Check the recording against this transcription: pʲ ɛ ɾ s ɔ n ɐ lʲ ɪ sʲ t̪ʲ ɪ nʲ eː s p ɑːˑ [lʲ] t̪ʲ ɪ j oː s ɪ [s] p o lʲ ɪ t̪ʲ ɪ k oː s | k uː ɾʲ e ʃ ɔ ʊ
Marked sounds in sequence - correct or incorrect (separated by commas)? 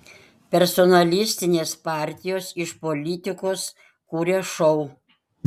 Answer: incorrect, incorrect